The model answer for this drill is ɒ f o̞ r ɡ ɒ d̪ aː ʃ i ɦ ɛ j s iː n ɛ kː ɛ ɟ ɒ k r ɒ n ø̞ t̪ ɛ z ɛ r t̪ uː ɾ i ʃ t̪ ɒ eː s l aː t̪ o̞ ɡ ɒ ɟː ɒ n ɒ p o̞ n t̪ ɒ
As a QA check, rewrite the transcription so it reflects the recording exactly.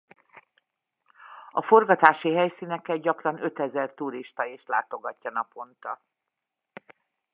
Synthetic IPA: ɒ f o̞ r ɡ ɒ t̪ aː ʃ i ɦ ɛ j s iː n ɛ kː ɛ ɟ ɒ k r ɒ n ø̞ t̪ ɛ z ɛ r t̪ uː ɾ i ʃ t̪ ɒ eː ʃ l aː t̪ o̞ ɡ ɒ cː ɒ n ɒ p o̞ n t̪ ɒ